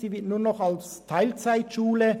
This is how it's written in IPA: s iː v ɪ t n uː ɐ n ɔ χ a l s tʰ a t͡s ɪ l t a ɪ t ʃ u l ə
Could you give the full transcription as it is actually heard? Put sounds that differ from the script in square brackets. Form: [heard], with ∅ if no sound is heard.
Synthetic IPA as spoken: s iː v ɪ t n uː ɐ n ɔ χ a l s tʰ a [∅] ɪ l [t͡s] a ɪ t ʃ [uː] l ə